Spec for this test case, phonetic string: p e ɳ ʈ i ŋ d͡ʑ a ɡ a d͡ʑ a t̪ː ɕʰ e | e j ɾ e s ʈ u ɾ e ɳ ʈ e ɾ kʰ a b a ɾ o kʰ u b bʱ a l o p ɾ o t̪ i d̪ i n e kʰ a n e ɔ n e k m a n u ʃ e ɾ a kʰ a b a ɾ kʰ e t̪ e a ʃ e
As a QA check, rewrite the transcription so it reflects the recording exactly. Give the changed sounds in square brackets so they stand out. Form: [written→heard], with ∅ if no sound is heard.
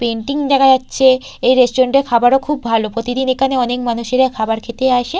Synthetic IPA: p e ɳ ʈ i ŋ d͡ʑ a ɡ a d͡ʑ a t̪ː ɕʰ e | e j ɾ e s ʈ [u→o] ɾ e ɳ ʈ e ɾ kʰ a b a ɾ o kʰ u b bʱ a l o p ɾ o t̪ i d̪ i n e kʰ a n e ɔ n e k m a n u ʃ e ɾ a kʰ a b a ɾ kʰ e t̪ e a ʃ e